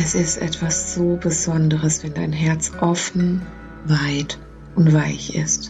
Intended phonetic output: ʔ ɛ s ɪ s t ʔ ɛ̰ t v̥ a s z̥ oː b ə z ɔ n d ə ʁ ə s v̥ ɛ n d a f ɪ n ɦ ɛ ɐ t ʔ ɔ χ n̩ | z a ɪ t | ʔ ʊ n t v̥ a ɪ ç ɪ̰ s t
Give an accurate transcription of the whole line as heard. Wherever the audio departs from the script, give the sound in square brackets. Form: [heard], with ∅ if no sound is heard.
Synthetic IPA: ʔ ɛ s ɪ s t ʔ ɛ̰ t v̥ a s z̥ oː b ə z ɔ n d ə ʁ ə s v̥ ɛ n d a [∅] ɪ n ɦ ɛ ɐ [t͡s] ʔ ɔ [f] n̩ | [v] a ɪ t | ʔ ʊ n t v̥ a ɪ ç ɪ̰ s t